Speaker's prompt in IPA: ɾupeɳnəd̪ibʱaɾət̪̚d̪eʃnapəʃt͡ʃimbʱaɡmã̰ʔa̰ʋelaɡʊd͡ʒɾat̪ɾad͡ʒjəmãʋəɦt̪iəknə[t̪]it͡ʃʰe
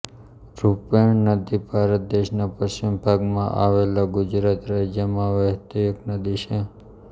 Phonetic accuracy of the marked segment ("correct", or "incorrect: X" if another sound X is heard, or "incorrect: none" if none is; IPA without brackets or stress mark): incorrect: d̪